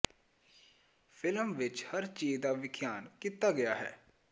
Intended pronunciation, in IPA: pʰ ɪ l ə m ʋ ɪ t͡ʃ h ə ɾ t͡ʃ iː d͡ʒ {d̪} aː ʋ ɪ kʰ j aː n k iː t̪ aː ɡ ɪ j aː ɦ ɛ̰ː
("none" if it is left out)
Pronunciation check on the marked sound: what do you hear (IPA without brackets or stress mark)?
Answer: d̪